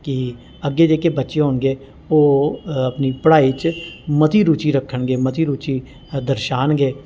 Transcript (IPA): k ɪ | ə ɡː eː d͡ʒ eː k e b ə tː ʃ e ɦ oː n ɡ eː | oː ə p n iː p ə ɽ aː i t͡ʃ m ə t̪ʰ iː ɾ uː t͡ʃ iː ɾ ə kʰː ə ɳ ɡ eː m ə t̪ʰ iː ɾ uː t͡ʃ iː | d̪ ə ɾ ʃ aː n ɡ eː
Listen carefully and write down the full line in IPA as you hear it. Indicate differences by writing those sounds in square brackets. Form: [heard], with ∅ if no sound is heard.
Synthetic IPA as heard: k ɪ | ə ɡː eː d͡ʒ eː k e b ə tː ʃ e ɦ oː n ɡ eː | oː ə p n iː p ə ɽ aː i t͡ʃ m ə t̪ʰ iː ɾ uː t͡ʃ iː ɾ ə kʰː ə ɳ ɡ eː m ə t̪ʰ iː ɾ uː t͡ʃ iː | d̪ ə ɾ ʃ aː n ɡ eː